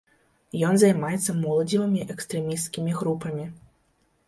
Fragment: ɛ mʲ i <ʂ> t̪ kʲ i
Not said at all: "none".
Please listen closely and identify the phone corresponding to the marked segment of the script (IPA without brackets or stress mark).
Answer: s